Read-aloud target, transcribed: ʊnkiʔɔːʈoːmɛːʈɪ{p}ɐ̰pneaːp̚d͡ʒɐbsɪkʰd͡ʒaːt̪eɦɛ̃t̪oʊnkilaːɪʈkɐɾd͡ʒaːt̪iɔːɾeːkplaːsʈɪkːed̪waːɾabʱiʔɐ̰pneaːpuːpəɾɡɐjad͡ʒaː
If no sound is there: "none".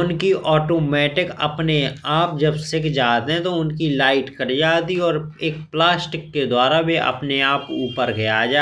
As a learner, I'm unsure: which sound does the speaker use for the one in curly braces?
k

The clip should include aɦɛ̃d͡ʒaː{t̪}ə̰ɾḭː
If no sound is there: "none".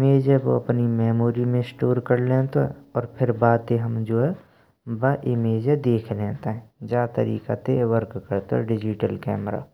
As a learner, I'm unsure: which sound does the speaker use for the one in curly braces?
t̪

